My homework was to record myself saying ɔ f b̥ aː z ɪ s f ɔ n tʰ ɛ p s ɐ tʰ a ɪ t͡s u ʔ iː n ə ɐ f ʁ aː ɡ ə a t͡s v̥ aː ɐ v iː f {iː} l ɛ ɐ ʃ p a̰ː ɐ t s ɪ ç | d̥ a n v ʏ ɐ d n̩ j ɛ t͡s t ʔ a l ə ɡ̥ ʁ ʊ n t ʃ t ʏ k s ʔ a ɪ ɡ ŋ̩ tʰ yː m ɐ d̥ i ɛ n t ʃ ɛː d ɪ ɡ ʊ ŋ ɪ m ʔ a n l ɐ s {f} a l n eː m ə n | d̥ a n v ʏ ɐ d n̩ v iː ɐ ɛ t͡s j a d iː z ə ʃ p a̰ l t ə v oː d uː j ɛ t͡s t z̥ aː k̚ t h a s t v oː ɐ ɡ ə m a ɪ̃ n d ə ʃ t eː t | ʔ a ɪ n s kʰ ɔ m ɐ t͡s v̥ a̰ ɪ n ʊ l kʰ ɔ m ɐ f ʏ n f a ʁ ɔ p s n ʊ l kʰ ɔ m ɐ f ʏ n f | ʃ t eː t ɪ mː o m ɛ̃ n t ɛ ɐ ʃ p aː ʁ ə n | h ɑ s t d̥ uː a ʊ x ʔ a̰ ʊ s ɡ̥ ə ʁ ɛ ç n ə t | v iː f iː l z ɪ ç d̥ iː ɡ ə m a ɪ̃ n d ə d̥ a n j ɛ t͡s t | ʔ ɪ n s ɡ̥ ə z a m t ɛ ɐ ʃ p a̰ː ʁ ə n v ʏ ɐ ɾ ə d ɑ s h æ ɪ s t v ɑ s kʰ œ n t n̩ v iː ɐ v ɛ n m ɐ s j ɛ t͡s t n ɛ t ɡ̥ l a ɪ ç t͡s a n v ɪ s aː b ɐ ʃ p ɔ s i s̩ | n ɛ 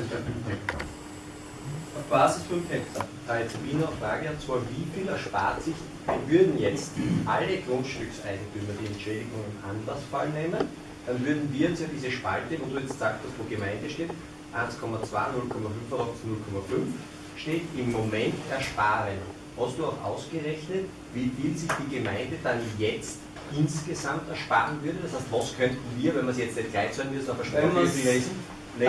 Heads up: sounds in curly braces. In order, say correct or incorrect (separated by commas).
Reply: correct, correct